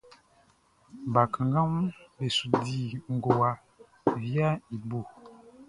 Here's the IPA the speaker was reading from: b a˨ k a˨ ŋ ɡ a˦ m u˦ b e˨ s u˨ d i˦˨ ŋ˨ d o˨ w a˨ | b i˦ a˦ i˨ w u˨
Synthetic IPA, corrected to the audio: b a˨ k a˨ ŋ ɡ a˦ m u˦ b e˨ s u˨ d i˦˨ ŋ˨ ɡ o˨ w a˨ | v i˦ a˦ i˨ b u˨